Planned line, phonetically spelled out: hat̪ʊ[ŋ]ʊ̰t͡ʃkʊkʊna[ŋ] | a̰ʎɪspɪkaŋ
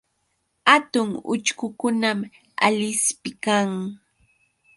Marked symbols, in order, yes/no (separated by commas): yes, no